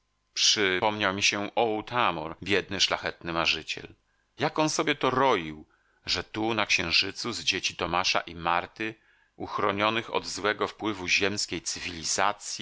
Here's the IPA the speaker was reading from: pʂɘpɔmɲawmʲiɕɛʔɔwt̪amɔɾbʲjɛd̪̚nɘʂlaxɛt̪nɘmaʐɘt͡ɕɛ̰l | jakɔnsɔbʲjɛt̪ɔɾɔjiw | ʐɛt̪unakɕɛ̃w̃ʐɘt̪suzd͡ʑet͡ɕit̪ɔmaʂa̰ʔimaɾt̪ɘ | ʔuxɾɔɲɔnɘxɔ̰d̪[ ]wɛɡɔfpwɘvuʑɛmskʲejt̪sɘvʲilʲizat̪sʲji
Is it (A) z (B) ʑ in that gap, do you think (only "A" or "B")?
A